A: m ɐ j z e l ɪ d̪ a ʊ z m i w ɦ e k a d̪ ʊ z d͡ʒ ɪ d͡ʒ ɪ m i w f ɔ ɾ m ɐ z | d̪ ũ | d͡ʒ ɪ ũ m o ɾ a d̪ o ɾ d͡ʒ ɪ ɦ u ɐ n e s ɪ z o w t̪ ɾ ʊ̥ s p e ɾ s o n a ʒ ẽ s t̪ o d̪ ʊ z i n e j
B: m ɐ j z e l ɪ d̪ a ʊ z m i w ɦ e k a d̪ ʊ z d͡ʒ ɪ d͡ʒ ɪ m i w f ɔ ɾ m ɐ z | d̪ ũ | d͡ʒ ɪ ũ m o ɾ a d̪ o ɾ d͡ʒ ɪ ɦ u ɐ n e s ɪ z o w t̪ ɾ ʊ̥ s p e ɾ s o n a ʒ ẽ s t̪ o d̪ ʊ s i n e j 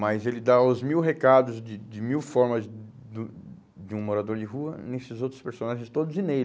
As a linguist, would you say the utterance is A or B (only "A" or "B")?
A